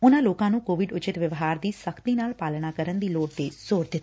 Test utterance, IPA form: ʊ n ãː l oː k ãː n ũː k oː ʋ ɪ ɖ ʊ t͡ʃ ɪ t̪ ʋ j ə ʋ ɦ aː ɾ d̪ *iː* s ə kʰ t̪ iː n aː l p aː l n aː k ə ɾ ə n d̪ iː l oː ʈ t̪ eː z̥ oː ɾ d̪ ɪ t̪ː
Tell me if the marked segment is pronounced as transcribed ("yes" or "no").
yes